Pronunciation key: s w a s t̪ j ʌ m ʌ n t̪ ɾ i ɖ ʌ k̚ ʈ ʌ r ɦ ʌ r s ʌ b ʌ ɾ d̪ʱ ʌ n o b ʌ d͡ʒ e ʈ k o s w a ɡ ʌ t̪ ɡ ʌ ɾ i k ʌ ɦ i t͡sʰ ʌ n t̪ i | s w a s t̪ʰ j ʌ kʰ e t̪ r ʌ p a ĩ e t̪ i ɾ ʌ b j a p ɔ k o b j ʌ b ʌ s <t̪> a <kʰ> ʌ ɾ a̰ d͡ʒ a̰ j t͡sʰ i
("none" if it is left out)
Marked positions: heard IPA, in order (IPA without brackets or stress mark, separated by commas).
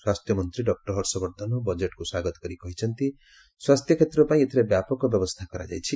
t̪ʰ, k